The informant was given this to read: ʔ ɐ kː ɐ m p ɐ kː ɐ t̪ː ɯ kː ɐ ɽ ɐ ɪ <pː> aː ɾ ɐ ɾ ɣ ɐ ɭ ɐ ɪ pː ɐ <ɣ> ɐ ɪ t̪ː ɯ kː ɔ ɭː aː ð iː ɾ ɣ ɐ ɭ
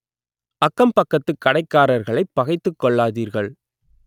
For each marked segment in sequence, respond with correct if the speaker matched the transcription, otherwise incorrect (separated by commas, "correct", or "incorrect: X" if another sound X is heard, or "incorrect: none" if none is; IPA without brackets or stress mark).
incorrect: kː, correct